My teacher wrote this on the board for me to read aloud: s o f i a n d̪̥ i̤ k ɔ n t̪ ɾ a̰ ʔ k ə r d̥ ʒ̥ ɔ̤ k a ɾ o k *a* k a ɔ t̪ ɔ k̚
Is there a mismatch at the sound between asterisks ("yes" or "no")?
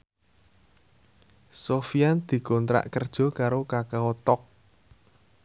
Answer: no